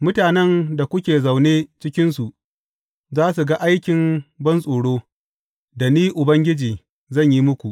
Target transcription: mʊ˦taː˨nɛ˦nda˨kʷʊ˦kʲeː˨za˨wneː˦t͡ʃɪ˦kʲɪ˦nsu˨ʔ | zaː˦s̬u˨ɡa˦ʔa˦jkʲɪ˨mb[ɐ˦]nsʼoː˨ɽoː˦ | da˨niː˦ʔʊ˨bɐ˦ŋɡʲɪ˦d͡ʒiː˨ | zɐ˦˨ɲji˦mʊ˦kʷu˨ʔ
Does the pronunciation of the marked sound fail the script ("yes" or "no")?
no